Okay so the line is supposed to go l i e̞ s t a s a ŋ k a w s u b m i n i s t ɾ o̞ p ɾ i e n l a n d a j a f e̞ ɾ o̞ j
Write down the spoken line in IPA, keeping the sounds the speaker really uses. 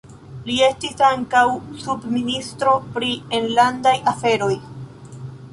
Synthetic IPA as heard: l i e̞ s t i s a ŋ k a w s u b m i n i s t ɾ o̞ p ɾ i e n l a n d a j a f e̞ ɾ o̞ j